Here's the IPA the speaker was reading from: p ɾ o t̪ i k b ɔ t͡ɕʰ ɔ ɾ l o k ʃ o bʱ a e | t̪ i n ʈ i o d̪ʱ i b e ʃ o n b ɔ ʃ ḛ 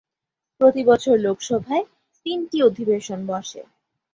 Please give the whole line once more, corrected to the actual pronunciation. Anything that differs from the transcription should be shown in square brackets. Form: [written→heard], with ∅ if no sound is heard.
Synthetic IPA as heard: p ɾ o t̪ i [k→∅] b ɔ t͡ɕʰ [ɔ→o] ɾ l o k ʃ [o→ɔ] bʱ a e | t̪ i n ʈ i o d̪ʱ i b e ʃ o n b ɔ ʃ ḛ